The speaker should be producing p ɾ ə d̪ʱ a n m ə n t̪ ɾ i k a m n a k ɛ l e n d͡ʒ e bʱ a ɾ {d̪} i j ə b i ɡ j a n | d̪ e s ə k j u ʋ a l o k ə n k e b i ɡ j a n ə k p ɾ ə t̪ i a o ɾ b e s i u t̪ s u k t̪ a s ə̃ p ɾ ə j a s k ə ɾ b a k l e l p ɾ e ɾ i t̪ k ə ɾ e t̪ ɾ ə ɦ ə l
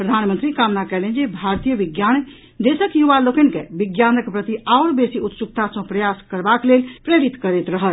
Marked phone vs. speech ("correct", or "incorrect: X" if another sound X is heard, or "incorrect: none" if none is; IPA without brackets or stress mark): incorrect: t̪